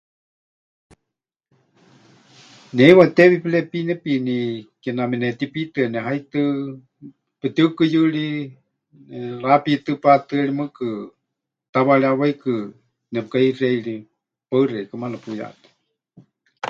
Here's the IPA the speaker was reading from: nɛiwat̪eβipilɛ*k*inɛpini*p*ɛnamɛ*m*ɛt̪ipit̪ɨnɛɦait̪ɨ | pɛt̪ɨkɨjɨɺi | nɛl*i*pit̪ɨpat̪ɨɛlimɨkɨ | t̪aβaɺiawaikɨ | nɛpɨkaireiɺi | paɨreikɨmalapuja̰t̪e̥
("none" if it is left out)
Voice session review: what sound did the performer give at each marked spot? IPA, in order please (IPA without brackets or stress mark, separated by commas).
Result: p, k, n, a